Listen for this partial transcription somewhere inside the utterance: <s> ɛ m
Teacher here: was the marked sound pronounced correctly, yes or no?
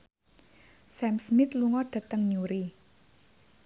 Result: yes